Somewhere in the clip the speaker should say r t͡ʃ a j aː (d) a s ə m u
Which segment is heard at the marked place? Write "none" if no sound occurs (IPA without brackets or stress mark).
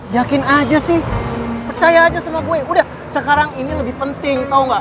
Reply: d͡ʒ